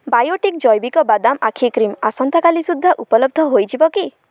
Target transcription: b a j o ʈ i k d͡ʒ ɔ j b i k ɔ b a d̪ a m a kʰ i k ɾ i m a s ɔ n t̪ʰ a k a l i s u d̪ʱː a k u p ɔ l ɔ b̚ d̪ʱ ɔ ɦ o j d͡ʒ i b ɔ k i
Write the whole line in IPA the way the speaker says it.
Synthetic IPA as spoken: b a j o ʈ i k d͡ʒ ɔ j b i k ɔ b a d̪ a m a kʰ i k ɾ i m a s ɔ n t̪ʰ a k a l i s u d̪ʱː a ʔ u p ɔ l ɔ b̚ d̪ʱ ɔ ɦ o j d͡ʒ i b ɔ k i